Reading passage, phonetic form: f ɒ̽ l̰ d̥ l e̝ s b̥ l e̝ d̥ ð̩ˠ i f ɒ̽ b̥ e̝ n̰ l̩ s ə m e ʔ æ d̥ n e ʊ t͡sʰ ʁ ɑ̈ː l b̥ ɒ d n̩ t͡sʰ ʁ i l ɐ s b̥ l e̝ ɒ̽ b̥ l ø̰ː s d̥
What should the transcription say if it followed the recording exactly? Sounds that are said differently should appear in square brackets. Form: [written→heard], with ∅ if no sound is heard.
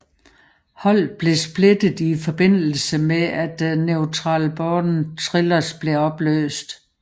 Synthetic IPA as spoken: [f→h] ɒ̽ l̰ [d̥→b̥] l e̝ s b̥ l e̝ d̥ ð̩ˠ i f ɒ̽ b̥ e̝ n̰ l̩ s ə m e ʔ æ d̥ n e ʊ t͡sʰ ʁ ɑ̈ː l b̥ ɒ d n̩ t͡sʰ ʁ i l ɐ s b̥ l e̝ ɒ̽ b̥ l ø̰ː s d̥